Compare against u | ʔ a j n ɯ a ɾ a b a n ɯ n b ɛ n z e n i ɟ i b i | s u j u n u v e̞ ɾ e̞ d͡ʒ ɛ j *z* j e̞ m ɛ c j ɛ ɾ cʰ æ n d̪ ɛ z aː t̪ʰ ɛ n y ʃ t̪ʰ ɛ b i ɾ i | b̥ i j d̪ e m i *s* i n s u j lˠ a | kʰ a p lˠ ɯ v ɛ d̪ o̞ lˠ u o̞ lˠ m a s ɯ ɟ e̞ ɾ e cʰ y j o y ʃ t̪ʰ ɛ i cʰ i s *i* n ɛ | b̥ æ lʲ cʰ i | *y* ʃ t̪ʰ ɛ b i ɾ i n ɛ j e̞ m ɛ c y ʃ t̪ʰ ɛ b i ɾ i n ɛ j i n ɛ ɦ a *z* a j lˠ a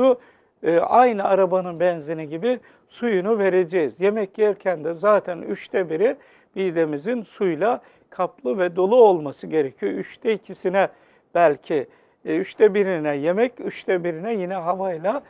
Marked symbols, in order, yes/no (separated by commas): yes, no, yes, yes, no